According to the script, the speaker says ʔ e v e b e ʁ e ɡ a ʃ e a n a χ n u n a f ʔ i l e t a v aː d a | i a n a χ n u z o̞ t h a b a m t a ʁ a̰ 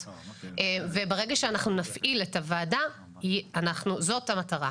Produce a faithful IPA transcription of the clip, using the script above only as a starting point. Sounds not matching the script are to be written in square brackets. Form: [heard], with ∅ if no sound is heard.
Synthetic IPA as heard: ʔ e v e b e ʁ e ɡ a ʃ e a n a χ n u n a f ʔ i l e t a v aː d a | i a n a χ n u z o̞ t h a [m] a [∅] t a ʁ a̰

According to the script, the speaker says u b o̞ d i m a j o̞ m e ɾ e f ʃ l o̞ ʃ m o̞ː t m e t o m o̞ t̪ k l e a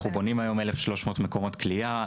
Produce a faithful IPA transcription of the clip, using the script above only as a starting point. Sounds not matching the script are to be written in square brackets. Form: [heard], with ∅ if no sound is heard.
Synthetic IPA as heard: u b o̞ [n] i m a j o̞ m e [l] e f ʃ l o̞ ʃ m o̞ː t m e [k] o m o̞ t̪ k l [i] a

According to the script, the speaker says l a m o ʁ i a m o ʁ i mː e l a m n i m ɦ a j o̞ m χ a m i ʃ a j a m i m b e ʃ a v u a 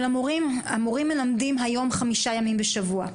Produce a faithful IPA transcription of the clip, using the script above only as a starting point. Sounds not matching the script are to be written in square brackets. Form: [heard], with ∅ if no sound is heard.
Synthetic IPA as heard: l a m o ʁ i a m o ʁ i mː e l a m [d] i m ɦ a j o̞ m χ a m i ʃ a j a m i m b e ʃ a v u a

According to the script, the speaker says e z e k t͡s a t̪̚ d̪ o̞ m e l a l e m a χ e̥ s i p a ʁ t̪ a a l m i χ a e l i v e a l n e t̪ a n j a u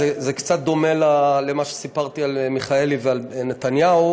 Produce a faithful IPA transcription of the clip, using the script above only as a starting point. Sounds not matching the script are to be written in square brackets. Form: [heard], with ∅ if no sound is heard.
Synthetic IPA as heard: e z e k t͡s a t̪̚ d̪ o̞ m e l a l e m a [ʃ] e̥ s i p a ʁ t̪ [i] a l m i χ a e l i v e a l n e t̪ a n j a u

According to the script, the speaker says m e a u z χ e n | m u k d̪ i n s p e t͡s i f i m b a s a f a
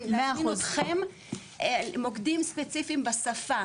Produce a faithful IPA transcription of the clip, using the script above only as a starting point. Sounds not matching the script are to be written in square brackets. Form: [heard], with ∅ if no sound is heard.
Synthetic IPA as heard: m e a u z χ e [m] | m [o] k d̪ i [m] s p e t͡s i f i m b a s a f a

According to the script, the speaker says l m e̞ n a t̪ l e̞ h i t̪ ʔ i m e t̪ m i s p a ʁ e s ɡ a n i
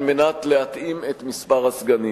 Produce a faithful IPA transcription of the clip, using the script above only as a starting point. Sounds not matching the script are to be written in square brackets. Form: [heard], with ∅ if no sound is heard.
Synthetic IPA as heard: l m e̞ n a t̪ l e̞ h [a] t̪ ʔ i m e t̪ m i s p a ʁ [a] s ɡ a n i

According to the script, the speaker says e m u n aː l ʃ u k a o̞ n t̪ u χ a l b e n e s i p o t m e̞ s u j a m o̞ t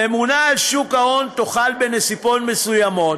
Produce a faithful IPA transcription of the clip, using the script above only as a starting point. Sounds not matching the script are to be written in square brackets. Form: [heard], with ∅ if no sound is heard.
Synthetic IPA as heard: e m u n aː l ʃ u k a o̞ n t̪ [o] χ a l b e n e s i p o t m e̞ s u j a m o̞ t

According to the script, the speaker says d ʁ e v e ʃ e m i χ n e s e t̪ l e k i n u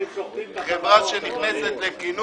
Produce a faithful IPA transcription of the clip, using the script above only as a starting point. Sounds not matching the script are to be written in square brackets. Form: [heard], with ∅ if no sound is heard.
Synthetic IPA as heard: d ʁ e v [a] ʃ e [n] i χ n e s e t̪ l e k i n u

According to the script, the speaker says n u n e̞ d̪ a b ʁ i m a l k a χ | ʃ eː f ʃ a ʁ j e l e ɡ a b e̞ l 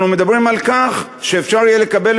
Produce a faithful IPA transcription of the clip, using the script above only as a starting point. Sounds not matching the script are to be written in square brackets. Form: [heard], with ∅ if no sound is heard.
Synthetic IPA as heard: n u [m] e̞ d̪ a b ʁ i m a l k a χ | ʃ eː f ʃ a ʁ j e l e [k] a b e̞ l

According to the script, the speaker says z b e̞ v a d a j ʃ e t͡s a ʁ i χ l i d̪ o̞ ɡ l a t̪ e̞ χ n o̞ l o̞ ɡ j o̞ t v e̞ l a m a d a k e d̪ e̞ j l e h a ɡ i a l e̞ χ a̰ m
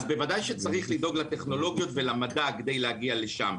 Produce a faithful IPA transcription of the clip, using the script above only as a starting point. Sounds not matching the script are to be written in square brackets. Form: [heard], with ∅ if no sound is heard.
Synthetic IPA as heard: z b e̞ v a d a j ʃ e t͡s a ʁ i χ l i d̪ o̞ ɡ l a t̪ e̞ χ n o̞ l o̞ ɡ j o̞ t v e̞ l a m a d a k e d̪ e̞ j l e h a ɡ i a l e̞ [ʃ] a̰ m

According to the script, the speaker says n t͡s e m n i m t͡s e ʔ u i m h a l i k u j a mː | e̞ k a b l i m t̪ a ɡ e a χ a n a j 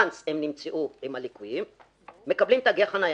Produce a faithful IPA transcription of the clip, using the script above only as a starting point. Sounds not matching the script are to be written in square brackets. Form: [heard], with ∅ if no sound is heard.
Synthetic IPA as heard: n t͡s e m n i m t͡s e ʔ u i m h a l i k u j [i] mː | e̞ k a b l i m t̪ a ɡ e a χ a n a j

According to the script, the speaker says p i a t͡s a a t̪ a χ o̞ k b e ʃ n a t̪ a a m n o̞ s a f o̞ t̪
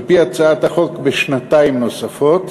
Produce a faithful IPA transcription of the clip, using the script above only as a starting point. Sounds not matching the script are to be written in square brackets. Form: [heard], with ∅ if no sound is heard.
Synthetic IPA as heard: p i a t͡s a a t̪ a χ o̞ k b e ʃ n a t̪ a [i] m n o̞ s a f o̞ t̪

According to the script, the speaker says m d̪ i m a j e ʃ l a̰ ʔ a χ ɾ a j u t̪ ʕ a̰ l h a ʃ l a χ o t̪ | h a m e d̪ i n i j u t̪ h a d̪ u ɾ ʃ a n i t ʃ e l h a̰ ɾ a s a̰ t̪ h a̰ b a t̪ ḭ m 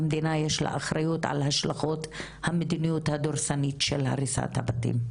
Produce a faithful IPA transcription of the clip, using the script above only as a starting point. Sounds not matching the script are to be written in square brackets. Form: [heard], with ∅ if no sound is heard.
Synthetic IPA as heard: m d̪ i [n] a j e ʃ l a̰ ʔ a χ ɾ a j u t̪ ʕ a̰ l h a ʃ l a χ o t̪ | h a m e d̪ i n i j u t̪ h a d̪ [o] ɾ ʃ a n i t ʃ e l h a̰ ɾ [i] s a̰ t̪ h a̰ b a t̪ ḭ m

